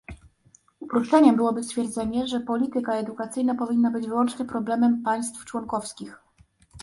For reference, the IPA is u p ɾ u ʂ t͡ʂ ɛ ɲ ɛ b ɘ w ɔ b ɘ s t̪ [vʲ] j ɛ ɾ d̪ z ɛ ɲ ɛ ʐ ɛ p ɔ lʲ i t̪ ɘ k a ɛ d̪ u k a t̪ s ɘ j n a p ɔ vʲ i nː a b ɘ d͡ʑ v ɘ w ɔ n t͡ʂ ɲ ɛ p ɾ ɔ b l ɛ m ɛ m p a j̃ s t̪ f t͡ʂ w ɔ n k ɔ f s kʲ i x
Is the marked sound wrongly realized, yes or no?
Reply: yes